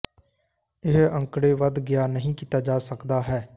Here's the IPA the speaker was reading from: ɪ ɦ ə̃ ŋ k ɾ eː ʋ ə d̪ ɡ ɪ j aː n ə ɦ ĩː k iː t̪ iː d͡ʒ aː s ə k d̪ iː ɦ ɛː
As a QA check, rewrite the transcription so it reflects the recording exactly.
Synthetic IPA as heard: ɪ ɦ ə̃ ŋ k ɽ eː ʋ ə d̪ ɡ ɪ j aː n ə ɦ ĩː k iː t̪ aː d͡ʒ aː s ə k d̪ aː ɦ ɛː